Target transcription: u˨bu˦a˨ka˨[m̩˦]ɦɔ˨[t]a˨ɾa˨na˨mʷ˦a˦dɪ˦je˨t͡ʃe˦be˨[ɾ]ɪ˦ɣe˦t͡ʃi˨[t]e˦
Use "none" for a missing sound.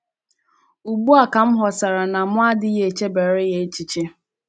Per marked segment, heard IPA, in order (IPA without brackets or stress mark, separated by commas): m̩˦, s, ɾ, t͡ʃ